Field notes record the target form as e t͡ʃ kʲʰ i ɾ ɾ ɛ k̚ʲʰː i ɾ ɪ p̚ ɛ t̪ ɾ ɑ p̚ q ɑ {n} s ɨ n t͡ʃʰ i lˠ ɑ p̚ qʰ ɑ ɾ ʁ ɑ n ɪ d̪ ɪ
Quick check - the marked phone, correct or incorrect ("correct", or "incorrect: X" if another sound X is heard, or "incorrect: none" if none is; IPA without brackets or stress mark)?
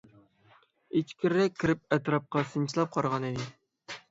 incorrect: none